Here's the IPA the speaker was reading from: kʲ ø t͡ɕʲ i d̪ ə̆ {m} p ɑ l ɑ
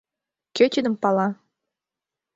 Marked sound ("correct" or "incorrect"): correct